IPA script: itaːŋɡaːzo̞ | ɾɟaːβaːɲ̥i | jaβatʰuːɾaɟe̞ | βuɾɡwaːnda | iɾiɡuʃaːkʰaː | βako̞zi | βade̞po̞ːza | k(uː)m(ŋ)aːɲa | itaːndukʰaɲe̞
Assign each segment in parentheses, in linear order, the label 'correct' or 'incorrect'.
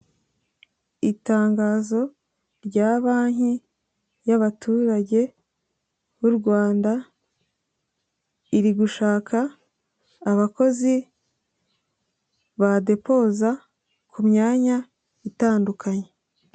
incorrect: u, incorrect: ɲ

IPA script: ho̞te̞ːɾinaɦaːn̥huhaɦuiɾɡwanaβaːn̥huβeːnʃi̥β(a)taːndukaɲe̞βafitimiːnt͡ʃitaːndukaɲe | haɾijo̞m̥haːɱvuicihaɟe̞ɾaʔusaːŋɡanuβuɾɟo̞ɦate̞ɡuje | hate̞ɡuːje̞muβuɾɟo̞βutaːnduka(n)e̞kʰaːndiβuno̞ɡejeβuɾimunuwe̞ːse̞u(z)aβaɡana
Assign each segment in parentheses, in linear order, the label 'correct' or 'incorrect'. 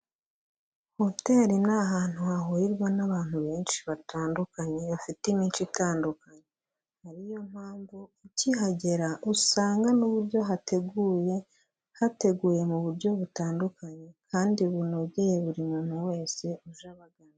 correct, incorrect: ɲ, incorrect: ʒ

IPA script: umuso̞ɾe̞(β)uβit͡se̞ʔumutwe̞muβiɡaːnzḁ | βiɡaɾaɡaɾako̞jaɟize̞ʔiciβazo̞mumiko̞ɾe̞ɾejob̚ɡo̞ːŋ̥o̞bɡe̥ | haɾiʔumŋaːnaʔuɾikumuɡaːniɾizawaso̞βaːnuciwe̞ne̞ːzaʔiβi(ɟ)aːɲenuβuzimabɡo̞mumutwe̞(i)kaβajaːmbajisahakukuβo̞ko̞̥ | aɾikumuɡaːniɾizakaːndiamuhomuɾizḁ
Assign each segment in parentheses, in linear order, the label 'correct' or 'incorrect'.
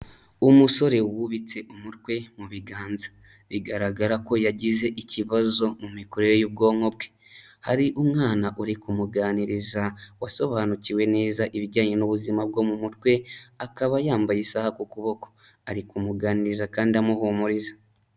incorrect: w, correct, incorrect: a

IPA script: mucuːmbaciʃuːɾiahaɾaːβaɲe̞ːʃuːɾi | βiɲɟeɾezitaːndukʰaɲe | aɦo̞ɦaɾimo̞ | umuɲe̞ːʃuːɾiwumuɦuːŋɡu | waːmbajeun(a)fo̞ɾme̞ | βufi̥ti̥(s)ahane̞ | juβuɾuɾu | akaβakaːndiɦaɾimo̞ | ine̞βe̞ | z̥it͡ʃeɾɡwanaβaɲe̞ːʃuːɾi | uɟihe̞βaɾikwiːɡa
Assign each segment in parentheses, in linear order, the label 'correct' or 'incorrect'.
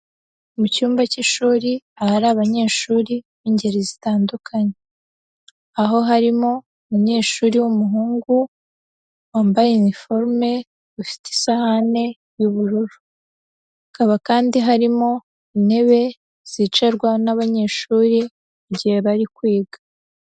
incorrect: i, correct

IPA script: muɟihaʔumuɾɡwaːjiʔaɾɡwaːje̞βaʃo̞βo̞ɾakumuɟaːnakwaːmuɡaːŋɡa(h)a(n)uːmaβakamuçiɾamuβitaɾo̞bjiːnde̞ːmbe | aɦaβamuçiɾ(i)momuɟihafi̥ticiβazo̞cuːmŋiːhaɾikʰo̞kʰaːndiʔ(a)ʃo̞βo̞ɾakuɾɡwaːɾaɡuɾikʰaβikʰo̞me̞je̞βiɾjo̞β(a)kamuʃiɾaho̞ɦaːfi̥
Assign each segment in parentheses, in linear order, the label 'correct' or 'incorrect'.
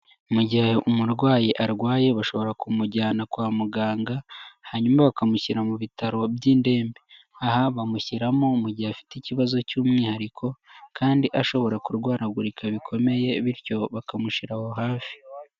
correct, incorrect: ɲ, incorrect: a, correct, correct

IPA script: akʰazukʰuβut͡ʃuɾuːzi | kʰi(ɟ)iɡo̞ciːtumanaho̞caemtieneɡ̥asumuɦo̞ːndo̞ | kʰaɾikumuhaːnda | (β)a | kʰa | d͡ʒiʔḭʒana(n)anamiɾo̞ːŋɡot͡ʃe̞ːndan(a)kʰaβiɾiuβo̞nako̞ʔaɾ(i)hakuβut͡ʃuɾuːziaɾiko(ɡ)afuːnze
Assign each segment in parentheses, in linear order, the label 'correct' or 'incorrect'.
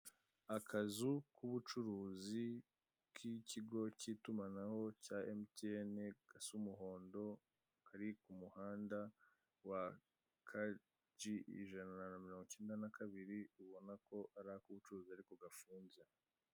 incorrect: c, incorrect: w, correct, correct, incorrect: a, correct

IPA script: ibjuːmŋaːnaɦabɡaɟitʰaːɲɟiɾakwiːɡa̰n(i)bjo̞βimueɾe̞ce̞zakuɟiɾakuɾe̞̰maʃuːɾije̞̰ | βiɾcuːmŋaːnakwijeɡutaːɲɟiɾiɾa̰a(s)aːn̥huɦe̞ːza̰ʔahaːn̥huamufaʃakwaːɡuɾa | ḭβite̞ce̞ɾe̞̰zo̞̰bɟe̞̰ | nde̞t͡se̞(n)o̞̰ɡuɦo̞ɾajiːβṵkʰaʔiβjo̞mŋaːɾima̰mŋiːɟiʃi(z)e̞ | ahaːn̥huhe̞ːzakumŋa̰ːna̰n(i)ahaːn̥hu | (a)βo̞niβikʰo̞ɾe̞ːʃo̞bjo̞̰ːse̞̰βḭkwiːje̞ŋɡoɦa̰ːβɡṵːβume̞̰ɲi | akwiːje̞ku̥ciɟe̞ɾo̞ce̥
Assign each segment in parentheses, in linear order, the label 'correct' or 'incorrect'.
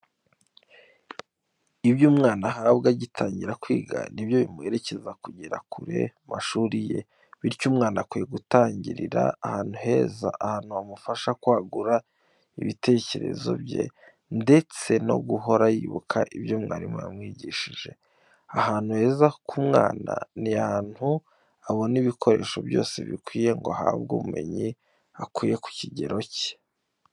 correct, incorrect: h, correct, incorrect: ʒ, correct, correct

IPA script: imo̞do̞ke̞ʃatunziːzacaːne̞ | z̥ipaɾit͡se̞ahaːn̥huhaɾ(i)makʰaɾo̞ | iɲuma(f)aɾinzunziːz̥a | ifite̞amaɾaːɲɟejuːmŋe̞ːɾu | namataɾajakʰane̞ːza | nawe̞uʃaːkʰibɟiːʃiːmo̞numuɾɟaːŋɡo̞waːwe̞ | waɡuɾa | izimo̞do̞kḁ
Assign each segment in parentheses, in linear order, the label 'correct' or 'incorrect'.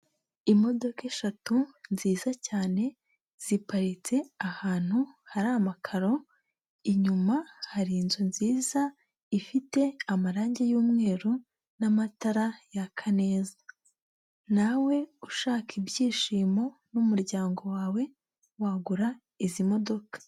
incorrect: a, incorrect: h

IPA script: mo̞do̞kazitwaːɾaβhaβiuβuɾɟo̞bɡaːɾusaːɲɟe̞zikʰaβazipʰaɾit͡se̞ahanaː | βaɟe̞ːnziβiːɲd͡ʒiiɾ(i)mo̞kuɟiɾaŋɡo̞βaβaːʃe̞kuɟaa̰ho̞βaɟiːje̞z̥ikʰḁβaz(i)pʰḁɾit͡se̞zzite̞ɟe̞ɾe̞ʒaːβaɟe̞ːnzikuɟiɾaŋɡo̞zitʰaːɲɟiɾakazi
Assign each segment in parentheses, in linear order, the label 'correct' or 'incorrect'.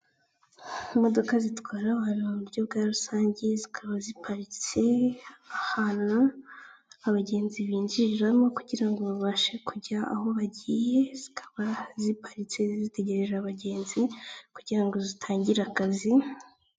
incorrect: a, correct

